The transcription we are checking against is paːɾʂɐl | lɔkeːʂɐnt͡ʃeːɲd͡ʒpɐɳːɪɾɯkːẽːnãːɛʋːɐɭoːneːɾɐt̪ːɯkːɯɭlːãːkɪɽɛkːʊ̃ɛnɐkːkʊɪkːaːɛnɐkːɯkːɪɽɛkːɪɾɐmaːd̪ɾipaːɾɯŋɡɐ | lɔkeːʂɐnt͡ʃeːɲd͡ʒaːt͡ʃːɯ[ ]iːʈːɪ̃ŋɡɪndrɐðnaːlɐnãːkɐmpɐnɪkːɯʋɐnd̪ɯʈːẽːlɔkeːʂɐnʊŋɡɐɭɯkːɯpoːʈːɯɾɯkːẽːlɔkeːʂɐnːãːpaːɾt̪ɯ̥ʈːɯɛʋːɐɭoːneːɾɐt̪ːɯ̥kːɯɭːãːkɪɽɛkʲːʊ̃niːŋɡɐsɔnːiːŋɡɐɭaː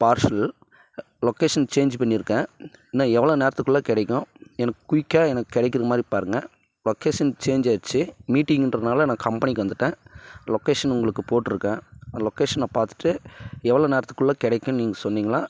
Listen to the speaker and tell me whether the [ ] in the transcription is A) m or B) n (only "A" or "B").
A